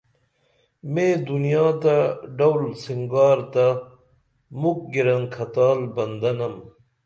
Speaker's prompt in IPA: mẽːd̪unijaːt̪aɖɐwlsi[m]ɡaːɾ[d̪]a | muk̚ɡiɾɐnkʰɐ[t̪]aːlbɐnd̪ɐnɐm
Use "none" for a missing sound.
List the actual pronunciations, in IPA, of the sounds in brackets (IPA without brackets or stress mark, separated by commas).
ŋ, t̪, t̪